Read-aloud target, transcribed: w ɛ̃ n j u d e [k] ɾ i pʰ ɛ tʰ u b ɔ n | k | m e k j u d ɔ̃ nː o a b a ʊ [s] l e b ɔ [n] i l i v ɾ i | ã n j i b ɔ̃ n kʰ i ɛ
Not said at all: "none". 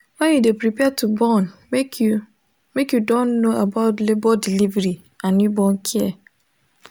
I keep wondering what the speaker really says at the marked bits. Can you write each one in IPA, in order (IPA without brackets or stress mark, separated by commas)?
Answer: p, t, d